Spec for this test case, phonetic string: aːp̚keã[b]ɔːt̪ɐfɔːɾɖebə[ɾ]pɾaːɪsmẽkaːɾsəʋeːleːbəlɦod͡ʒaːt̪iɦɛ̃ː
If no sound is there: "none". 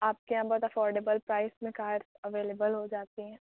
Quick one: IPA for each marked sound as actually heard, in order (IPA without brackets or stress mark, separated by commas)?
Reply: b, l